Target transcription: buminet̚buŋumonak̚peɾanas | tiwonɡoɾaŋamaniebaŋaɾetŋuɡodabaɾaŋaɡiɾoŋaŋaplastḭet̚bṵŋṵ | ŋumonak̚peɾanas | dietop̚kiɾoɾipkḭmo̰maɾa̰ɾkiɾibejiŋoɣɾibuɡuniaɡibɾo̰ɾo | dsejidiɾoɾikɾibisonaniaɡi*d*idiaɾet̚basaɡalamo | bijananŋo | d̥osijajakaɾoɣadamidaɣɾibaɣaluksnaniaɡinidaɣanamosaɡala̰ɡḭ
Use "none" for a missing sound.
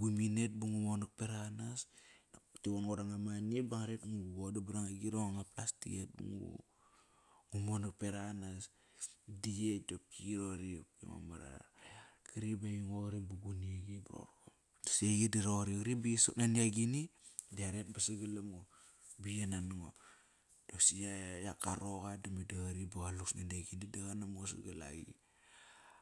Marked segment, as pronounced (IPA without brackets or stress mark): n